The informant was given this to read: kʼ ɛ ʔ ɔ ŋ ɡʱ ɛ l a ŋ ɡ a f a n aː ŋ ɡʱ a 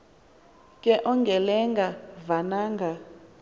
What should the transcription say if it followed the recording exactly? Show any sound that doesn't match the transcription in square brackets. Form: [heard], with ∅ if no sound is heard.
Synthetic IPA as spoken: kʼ ɛ ʔ ɔ ŋ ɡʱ ɛ l [ɛ] ŋ ɡ a [v] a n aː ŋ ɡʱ a